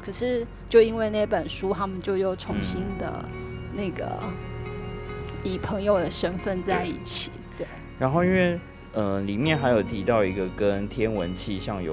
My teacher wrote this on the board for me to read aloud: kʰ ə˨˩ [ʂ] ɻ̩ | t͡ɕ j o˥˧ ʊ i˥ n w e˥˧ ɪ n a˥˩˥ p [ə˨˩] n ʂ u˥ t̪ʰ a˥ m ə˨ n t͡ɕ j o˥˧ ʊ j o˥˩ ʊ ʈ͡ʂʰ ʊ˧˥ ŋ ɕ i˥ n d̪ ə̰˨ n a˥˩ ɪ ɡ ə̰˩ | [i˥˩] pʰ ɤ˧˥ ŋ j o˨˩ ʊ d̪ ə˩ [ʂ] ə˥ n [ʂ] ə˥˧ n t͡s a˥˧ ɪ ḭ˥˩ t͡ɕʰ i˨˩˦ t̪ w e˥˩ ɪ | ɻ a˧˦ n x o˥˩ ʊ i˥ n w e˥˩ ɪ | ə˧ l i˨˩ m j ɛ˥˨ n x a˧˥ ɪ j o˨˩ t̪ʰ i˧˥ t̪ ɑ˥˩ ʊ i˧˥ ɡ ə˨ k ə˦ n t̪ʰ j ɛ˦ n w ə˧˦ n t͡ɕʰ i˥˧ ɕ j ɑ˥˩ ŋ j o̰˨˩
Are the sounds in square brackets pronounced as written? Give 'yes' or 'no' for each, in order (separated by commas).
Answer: yes, yes, no, yes, no